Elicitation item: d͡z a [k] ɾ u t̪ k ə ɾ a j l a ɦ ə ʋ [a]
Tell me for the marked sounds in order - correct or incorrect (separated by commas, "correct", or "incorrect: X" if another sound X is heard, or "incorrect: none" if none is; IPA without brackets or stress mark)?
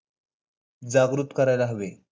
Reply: incorrect: ɡ, incorrect: e